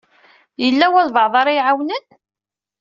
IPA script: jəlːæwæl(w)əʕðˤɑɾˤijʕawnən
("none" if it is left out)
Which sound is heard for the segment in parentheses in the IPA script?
v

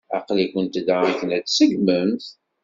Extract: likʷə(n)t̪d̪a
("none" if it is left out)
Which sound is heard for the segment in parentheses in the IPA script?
n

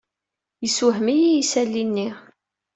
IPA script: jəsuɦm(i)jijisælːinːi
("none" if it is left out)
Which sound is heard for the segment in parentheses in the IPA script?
i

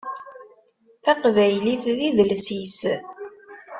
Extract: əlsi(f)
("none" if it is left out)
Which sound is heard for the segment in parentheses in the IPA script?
s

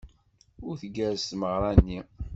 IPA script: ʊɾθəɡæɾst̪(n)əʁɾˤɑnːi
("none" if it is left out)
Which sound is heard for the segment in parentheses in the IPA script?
m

